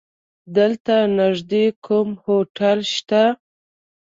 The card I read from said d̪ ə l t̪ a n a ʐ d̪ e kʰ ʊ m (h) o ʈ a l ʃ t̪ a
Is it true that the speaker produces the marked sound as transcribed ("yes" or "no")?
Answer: yes